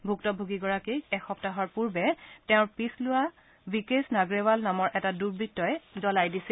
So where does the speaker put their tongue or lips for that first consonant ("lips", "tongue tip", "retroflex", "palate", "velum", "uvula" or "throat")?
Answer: lips